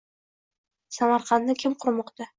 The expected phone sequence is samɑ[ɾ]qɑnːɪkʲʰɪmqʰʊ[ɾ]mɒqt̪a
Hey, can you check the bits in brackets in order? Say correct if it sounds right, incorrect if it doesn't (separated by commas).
correct, correct